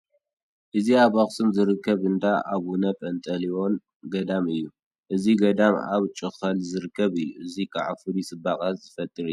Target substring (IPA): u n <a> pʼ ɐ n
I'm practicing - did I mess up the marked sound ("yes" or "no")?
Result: yes